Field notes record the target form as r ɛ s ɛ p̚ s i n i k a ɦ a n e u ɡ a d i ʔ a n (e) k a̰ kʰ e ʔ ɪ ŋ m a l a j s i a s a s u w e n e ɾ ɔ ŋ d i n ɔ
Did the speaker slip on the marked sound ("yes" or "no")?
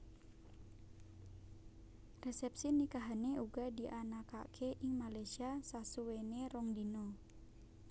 yes